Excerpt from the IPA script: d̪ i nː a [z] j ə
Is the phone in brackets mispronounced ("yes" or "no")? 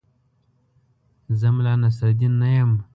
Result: yes